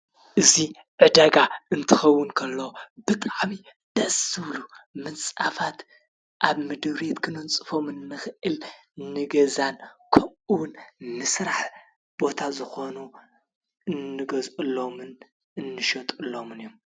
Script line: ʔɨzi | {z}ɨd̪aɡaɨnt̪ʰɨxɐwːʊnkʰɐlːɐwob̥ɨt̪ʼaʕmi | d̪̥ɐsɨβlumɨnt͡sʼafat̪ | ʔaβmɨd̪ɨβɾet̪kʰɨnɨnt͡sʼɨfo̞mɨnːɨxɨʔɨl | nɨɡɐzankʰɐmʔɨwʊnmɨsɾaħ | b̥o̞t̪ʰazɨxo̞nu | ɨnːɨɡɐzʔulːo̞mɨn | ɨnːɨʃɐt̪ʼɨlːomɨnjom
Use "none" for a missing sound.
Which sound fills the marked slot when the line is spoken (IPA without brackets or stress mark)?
ʕ